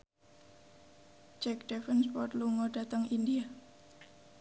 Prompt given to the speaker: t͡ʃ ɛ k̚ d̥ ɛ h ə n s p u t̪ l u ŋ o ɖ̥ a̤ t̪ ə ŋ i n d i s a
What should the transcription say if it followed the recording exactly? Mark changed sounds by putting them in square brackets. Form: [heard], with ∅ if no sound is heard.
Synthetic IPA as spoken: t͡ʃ ɛ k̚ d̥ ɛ [f] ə n s p [ɔ] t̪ l u ŋ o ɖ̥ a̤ t̪ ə ŋ i n d i [∅] a